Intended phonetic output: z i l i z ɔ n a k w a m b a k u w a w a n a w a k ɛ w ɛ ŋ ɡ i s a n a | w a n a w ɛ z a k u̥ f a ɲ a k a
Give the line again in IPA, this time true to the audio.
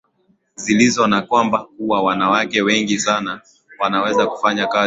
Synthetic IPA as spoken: z i l i z ɔ n a k w a m b a k u w a w a n a w a k ɛ w ɛ ŋ ɡ i s a n a | w a n a w ɛ z a k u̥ f a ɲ a k a